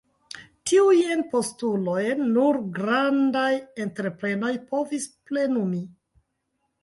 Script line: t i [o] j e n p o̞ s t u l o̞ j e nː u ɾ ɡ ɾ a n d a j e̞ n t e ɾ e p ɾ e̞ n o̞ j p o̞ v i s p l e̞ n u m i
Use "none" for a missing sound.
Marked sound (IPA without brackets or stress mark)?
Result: u